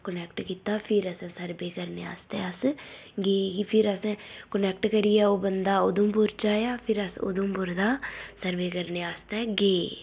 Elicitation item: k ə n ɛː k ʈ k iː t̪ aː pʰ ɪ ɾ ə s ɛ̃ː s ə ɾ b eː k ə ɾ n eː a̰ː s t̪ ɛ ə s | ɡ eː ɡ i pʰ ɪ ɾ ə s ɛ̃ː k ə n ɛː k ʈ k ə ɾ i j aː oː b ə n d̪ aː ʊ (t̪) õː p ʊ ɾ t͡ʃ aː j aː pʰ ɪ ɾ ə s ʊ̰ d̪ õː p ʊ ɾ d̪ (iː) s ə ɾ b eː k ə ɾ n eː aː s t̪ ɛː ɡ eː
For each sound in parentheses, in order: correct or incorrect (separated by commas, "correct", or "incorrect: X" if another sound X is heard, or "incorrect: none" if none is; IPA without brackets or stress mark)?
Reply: incorrect: d̪, incorrect: aː